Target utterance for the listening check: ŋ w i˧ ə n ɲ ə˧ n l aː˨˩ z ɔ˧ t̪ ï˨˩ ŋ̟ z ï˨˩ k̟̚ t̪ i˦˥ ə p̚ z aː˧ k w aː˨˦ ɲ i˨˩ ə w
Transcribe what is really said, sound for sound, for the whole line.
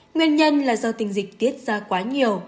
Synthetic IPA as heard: ŋ w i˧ ə n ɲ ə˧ n l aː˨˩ z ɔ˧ t̪ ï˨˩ ŋ̟ z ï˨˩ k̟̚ t̪ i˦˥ ə t̚ z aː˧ k w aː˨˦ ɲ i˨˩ ə w